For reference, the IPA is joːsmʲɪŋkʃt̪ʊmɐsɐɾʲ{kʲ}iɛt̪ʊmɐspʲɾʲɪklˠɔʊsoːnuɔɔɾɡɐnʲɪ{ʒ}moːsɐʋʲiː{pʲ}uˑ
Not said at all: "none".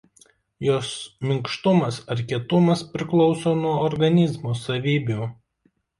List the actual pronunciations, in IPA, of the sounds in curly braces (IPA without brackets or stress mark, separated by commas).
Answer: kʲ, z, bʲ